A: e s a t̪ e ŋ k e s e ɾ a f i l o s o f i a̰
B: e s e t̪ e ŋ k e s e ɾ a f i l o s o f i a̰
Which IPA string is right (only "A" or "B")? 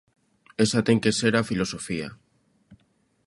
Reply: A